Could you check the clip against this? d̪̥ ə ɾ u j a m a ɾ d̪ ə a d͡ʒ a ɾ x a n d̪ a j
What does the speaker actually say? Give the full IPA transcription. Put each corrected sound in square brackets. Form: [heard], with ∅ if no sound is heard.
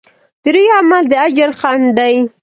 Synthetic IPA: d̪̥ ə ɾ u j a m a [l] d̪ ə a d͡ʒ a ɾ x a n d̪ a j